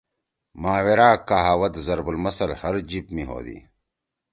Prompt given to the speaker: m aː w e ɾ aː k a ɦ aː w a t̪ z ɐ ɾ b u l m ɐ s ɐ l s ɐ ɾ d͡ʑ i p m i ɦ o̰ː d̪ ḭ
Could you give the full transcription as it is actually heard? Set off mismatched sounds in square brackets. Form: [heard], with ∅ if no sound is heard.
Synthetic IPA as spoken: m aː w e ɾ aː k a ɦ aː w [ɐ] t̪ z ɐ ɾ b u l m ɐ s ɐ l [h] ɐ ɾ d͡ʑ i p m i ɦ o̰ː d̪ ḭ